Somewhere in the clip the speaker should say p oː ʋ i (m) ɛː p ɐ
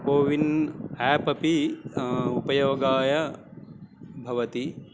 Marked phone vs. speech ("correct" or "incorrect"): incorrect